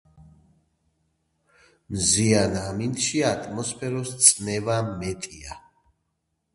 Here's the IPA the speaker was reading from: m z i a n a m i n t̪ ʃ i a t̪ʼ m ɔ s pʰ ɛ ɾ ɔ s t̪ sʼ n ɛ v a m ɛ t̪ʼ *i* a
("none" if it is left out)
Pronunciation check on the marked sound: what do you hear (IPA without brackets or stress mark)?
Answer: i